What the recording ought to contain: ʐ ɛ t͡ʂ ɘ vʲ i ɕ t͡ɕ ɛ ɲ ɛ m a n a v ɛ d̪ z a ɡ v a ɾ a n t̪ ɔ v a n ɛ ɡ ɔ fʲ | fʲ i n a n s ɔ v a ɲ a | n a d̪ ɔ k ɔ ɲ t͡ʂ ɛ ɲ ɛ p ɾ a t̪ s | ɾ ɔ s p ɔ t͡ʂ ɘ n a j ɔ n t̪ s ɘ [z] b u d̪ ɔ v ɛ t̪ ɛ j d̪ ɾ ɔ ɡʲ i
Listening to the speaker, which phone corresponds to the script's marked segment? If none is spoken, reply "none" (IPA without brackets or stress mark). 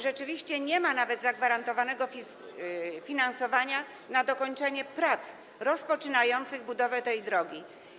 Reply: ɣ